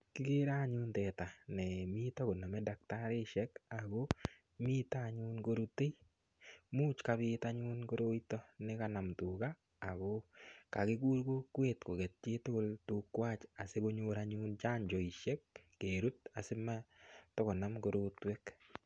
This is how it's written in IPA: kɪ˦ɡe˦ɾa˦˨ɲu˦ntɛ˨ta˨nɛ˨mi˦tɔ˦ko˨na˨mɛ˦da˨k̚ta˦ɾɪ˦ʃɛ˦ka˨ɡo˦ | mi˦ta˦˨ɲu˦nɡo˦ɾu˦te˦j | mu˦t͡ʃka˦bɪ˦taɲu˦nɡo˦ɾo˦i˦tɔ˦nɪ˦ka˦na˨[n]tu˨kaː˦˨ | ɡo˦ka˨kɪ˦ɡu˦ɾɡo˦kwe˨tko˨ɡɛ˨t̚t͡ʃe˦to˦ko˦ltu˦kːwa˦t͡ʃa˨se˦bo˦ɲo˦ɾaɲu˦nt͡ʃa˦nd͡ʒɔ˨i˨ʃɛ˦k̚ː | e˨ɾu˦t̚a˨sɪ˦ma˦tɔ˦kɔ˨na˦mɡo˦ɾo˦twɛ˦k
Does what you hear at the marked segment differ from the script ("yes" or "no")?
yes